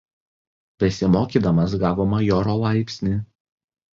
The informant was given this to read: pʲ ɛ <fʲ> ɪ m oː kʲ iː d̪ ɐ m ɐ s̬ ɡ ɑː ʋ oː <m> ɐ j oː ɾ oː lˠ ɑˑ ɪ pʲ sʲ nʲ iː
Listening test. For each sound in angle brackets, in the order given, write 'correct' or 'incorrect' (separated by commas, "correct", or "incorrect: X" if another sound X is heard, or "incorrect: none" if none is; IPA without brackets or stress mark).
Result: incorrect: sʲ, correct